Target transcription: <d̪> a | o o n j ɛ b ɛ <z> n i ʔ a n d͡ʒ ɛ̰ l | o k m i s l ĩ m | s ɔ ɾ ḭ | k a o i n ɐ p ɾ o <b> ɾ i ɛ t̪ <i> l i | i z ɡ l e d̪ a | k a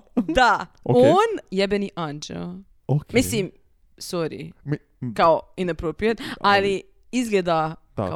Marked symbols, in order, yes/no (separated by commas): yes, no, no, no